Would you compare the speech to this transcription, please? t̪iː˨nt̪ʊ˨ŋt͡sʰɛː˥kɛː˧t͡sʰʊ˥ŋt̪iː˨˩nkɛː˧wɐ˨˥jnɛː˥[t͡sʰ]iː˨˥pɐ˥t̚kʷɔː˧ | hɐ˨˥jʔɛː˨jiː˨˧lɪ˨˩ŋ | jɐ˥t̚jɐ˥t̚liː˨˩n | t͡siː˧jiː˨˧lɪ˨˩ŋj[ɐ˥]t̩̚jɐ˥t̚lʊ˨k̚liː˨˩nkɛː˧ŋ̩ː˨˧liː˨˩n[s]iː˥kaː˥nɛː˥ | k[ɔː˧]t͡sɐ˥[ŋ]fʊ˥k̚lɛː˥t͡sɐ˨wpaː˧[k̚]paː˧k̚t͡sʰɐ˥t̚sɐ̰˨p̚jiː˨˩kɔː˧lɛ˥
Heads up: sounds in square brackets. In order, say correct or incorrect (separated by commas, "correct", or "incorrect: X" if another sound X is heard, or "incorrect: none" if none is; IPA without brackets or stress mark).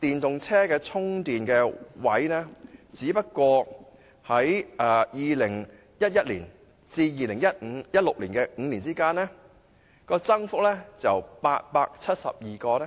incorrect: t͡s, correct, incorrect: t͡s, correct, correct, incorrect: t̚